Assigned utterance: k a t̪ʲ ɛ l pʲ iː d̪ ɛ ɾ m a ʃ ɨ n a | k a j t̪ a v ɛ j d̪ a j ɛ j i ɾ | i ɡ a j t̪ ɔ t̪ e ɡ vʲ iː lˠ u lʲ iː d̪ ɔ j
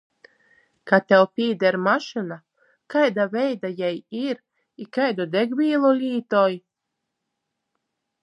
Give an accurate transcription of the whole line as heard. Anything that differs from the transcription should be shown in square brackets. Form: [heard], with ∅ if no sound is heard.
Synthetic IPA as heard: k a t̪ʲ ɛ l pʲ iː d̪ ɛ ɾ m a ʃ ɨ n a | k a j [d̪] a v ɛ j d̪ a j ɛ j i ɾ | i [k] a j [d̪] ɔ [d̪] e ɡ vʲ iː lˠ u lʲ iː [t̪] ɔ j